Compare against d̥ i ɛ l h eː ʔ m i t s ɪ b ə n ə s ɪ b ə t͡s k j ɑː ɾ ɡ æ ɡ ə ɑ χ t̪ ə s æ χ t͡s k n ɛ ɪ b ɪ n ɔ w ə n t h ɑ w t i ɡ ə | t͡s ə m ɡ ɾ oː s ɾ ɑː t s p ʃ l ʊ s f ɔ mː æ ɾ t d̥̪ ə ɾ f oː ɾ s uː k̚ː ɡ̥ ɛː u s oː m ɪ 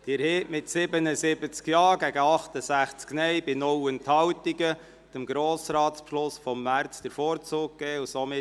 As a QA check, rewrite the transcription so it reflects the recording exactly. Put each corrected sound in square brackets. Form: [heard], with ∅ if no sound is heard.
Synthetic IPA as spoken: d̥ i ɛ [ɾ] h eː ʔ m [ɪ] t s ɪ b ə n ə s ɪ b ə t͡s k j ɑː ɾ ɡ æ ɡ ə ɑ χ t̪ ə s æ χ t͡s k n ɛ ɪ b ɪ n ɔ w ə n t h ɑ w t i ɡ ə | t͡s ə m ɡ ɾ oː s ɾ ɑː t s p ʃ l ʊ s f ɔ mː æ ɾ [t͡s] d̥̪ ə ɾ f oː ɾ [t͡s] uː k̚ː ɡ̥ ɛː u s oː m ɪ